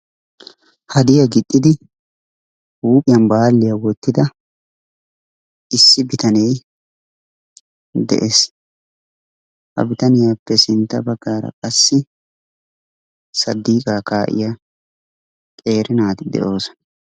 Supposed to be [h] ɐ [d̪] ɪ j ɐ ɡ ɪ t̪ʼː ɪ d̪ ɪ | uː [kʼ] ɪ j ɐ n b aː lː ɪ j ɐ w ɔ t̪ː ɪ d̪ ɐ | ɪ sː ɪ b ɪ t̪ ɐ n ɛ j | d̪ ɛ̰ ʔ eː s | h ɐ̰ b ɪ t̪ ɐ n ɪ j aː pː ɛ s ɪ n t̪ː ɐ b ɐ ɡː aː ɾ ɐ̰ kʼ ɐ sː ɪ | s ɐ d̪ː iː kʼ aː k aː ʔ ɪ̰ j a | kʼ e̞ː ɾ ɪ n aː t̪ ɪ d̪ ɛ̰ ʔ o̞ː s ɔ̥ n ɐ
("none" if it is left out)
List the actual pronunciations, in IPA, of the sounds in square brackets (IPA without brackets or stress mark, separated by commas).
h, d̪, pʼ